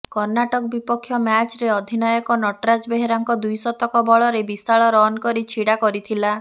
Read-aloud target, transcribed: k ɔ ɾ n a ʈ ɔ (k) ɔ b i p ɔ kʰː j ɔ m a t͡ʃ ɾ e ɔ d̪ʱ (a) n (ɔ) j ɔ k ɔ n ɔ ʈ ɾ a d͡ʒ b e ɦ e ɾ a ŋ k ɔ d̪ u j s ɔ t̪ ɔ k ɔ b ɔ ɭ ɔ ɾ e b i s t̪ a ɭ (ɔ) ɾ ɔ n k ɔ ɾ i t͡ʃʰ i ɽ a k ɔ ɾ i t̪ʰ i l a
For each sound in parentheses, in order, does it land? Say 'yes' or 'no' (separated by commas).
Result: yes, no, yes, yes